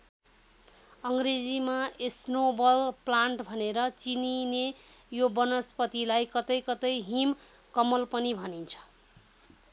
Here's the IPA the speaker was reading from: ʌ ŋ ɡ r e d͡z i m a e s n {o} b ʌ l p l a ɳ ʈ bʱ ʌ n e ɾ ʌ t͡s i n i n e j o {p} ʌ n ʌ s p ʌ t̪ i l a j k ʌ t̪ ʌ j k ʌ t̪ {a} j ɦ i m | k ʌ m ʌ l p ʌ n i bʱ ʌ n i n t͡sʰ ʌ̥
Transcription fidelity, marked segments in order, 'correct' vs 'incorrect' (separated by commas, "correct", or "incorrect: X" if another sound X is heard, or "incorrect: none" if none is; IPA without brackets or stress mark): correct, incorrect: b, incorrect: ʌ